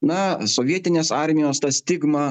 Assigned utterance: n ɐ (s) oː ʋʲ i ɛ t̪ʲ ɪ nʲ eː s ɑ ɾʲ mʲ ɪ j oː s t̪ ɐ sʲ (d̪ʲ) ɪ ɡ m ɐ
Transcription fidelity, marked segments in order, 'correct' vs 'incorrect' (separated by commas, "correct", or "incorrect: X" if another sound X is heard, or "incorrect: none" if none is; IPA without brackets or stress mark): correct, incorrect: t̪ʲ